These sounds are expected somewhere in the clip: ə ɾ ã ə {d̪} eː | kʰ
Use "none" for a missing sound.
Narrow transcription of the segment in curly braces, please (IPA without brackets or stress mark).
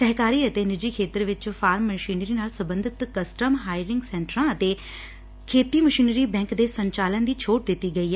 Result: t̪